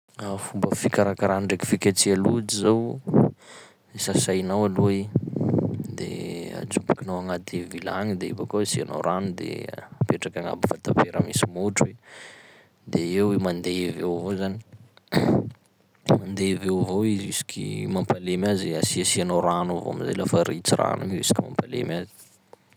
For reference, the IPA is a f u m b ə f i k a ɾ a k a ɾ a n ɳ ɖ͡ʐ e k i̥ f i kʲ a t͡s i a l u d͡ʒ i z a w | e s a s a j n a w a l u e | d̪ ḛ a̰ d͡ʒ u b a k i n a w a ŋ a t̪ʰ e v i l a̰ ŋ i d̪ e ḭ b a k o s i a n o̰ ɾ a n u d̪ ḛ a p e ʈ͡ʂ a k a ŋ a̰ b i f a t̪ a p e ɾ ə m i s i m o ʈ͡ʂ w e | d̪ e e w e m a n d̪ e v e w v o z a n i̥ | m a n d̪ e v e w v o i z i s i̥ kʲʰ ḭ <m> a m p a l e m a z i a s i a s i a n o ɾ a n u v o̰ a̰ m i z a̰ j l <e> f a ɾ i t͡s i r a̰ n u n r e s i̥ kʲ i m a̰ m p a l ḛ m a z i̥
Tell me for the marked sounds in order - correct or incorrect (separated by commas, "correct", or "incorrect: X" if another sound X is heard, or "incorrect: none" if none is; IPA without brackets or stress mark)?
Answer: correct, incorrect: a